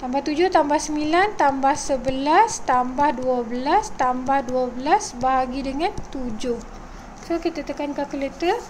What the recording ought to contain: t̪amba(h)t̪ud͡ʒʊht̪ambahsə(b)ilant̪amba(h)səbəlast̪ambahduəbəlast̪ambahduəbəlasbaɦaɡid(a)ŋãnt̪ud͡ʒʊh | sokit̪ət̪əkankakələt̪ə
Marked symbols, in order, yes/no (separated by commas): yes, no, yes, no